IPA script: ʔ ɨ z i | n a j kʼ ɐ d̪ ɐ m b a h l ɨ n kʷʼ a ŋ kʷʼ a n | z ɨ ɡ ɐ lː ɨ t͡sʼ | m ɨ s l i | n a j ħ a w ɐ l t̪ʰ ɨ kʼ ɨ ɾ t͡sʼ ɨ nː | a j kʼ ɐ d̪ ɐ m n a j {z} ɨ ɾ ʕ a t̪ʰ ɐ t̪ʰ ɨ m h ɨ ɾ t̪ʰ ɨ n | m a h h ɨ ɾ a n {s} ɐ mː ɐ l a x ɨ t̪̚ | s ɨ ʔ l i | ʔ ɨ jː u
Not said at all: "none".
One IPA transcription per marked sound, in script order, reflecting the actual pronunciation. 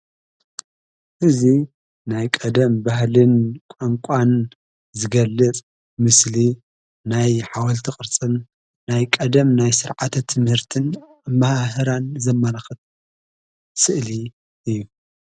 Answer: s, z

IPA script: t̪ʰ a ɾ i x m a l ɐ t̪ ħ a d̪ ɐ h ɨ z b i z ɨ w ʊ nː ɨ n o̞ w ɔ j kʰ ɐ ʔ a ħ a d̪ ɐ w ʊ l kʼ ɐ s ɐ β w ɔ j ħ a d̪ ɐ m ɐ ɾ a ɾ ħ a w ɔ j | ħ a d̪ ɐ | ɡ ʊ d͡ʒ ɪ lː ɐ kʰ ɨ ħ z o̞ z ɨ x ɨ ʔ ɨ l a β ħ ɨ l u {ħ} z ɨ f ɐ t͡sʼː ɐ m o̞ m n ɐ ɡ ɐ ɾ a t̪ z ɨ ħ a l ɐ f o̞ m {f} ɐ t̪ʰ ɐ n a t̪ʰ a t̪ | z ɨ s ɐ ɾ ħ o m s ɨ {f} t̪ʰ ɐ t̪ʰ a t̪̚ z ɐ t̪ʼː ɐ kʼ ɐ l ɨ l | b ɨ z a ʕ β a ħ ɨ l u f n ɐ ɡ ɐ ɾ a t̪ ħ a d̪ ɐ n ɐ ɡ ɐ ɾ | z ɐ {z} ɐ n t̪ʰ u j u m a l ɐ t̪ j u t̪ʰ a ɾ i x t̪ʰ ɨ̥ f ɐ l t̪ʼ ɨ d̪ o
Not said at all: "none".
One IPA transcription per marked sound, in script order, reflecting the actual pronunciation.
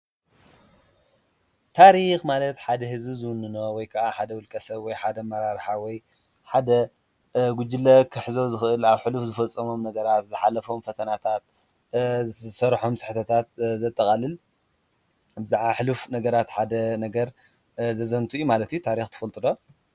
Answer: f, f, ħ, z

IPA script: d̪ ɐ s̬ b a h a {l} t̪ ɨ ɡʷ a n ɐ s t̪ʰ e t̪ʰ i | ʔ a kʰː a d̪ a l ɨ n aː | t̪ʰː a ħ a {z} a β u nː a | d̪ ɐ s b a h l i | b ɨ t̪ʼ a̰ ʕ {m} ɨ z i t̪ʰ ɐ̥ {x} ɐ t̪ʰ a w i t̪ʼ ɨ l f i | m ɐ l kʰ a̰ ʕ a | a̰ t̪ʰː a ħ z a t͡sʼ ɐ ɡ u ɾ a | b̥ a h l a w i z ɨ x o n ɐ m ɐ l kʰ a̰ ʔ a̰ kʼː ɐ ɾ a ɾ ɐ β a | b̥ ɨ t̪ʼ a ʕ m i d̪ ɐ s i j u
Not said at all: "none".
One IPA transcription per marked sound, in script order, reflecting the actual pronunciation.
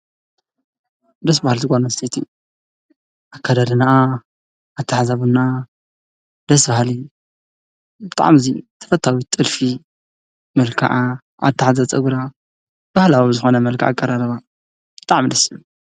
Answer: l, z, m, f

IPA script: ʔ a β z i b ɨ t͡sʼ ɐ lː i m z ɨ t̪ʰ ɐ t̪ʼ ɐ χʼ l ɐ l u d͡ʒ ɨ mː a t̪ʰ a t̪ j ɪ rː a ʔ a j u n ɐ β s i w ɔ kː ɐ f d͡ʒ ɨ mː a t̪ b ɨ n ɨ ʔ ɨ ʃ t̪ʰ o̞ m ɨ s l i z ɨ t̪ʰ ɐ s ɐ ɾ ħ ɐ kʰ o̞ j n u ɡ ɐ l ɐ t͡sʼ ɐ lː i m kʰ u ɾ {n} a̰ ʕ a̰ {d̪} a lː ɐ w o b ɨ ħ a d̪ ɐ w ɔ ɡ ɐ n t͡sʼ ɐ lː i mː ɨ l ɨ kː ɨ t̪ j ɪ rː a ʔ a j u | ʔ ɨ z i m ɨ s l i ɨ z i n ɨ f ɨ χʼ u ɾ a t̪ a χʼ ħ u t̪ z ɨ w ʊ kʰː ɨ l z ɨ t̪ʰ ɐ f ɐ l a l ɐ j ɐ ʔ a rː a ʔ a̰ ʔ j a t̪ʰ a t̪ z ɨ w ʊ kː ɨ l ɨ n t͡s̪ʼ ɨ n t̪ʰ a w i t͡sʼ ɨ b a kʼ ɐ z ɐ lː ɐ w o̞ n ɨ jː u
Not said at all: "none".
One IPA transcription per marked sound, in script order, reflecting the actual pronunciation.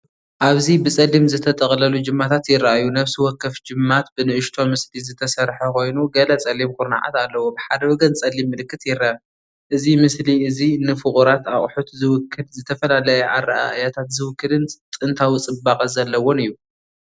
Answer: n, t̪

